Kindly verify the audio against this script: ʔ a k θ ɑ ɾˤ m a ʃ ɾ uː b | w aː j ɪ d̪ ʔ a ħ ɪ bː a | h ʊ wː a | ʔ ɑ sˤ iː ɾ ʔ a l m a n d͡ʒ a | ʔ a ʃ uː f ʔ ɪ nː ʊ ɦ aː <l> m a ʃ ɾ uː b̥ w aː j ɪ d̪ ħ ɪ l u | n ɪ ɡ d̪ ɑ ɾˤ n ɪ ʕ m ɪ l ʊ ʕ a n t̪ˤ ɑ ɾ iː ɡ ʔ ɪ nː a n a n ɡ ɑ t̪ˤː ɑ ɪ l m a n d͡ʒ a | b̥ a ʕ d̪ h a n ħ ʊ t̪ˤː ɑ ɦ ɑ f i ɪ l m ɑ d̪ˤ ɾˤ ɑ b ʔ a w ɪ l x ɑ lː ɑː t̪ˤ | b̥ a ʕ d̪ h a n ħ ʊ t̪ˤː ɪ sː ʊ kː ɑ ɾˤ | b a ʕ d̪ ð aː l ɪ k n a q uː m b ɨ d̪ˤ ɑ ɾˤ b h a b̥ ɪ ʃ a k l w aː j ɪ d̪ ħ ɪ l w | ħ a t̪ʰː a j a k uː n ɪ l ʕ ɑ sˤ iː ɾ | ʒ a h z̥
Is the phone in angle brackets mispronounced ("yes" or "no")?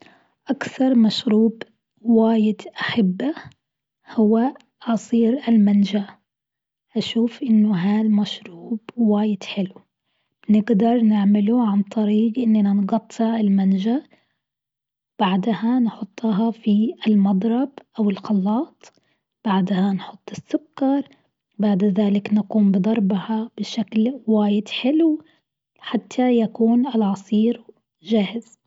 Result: no